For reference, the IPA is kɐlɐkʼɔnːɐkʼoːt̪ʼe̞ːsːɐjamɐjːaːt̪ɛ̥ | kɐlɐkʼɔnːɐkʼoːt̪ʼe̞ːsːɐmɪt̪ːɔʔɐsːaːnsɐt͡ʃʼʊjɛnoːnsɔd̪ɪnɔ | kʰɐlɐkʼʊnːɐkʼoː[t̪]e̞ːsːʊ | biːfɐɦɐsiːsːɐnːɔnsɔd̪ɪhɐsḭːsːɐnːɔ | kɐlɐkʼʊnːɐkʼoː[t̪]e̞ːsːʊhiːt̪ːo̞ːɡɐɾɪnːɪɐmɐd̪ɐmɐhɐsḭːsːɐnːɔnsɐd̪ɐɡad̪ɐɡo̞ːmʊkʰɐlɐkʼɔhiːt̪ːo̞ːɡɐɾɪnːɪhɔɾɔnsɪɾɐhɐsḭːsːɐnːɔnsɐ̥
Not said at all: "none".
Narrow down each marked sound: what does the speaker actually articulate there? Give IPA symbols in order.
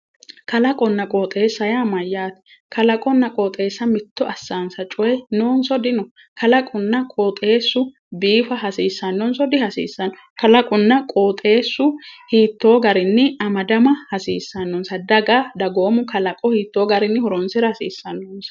t̪ʼ, t̪ʼ

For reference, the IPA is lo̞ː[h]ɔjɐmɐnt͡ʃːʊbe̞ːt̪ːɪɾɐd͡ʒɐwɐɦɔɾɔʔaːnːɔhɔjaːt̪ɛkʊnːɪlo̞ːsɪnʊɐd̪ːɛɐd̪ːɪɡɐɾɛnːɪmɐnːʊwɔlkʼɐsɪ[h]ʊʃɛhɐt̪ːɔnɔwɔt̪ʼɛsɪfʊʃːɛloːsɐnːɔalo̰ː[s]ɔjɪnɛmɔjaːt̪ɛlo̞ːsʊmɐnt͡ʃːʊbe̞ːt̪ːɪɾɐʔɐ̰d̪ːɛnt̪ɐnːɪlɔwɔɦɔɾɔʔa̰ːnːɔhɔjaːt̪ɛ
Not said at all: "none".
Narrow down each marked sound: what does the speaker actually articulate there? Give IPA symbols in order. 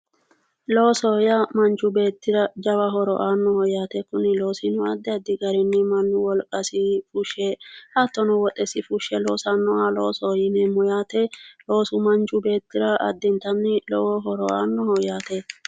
s, f, s

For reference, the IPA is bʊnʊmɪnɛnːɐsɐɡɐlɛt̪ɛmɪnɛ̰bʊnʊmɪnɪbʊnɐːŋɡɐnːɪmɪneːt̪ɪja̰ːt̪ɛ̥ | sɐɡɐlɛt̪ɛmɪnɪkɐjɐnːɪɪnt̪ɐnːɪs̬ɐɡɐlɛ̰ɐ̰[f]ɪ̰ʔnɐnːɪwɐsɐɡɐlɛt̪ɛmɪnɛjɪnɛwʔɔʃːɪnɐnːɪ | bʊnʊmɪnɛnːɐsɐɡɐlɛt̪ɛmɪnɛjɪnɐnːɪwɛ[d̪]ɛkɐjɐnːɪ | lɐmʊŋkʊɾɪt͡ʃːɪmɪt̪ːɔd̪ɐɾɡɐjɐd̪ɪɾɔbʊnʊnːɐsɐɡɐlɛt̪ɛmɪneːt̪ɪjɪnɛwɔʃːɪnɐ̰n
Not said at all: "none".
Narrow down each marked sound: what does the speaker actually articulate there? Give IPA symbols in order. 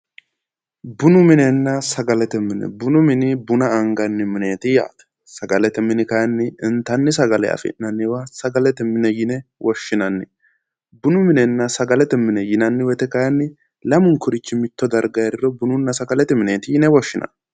f, t̪

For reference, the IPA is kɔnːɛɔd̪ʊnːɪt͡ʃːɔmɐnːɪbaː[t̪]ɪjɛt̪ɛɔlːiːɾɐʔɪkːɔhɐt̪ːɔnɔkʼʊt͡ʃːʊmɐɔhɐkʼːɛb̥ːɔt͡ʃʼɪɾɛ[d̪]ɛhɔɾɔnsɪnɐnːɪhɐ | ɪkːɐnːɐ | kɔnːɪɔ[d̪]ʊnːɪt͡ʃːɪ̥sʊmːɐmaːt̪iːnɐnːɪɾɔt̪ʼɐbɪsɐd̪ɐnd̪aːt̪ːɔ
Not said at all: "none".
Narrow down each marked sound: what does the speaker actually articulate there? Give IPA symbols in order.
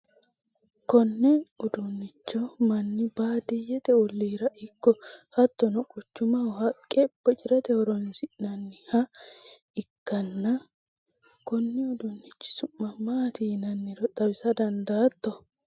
d̪, t̪, d̪

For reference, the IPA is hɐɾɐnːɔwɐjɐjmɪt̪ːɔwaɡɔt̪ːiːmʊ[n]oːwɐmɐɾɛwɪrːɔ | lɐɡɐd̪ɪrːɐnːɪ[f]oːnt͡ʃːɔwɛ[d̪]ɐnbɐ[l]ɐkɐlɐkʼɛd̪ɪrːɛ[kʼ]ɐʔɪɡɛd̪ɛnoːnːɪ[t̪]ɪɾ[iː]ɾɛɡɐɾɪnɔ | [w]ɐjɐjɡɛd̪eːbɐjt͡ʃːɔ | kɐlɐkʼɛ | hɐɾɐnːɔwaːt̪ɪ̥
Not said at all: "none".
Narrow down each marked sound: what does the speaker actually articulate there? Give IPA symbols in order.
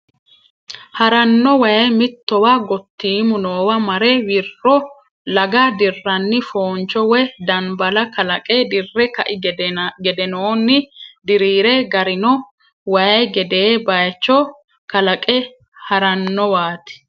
n, f, d̪, l, k, d̪, iː, w

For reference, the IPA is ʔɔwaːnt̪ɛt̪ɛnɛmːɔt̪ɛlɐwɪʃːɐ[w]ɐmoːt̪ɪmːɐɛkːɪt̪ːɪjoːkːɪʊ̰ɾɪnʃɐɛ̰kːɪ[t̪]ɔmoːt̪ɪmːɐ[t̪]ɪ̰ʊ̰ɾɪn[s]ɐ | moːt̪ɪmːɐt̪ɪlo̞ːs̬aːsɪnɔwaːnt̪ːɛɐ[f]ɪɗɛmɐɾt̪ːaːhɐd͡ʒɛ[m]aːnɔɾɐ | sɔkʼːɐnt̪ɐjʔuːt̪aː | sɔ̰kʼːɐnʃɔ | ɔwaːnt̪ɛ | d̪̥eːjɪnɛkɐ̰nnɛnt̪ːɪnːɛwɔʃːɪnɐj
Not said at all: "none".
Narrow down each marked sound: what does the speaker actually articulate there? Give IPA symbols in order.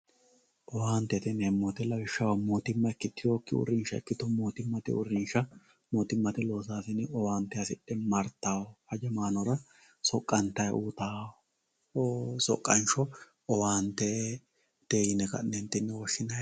w, t̪, t̪, ʃ, s, m

